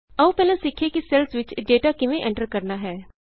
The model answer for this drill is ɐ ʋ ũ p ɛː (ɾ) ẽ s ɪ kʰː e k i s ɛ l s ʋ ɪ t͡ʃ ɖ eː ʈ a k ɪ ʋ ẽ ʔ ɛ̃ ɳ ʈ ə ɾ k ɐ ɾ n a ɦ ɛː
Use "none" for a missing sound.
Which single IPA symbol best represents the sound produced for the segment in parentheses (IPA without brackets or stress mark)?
l